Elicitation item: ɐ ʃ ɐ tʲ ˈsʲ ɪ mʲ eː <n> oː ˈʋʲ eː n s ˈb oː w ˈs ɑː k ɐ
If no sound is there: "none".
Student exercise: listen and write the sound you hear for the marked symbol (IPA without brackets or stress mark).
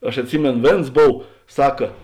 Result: n